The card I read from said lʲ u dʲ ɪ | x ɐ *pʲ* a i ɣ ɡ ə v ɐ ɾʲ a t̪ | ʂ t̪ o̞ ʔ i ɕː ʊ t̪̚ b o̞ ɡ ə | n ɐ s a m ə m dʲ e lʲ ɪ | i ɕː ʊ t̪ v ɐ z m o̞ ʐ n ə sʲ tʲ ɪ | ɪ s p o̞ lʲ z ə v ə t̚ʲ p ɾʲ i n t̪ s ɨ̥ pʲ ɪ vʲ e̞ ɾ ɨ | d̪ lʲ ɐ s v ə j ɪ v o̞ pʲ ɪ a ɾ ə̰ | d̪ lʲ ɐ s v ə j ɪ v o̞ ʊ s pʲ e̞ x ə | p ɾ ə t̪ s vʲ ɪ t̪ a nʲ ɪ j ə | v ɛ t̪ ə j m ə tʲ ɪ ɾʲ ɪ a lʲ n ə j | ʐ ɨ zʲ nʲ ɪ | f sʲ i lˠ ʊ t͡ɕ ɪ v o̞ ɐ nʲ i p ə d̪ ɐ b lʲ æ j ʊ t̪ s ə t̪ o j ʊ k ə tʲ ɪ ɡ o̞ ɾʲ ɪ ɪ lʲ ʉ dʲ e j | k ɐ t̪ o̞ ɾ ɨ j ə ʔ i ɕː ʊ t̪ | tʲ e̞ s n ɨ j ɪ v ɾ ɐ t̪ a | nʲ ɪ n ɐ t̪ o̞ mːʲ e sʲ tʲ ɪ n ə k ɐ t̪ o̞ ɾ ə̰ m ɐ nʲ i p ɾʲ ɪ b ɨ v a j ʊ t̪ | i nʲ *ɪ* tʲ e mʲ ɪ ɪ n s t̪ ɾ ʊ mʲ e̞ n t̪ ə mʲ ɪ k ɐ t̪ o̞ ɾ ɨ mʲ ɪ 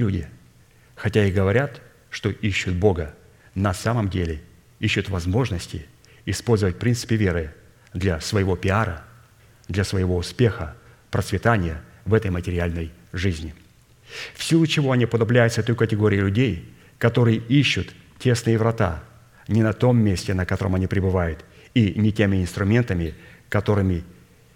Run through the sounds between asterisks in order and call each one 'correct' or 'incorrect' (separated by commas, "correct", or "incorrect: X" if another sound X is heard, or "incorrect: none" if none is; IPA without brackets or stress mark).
incorrect: tʲ, correct